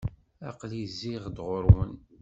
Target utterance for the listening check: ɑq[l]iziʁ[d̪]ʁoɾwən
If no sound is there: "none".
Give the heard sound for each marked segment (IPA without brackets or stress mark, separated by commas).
l, d̪